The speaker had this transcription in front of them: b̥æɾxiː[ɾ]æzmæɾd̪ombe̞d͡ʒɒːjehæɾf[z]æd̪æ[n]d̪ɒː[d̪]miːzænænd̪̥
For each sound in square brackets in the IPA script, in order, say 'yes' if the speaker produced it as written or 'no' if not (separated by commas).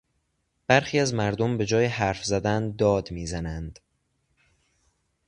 no, yes, yes, yes